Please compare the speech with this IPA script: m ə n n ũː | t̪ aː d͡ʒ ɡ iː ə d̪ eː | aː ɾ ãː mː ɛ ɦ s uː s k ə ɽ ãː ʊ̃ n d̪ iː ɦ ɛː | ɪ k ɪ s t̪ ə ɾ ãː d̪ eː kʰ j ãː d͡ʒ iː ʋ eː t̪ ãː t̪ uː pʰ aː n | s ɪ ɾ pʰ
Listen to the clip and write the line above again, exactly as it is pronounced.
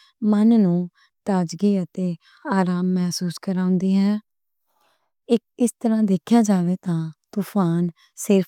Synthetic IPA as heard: m ə n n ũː | t̪ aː d͡ʒ ɡ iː ə t̪ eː | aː ɾ aː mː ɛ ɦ s uː s k ə ɾ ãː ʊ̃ n d̪ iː ɦ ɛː | ɪ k ɪ s t̪ ə ɾ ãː d̪ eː kʰ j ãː d͡ʒ aː ʋ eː t̪ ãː t̪ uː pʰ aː n | s ɪ ɾ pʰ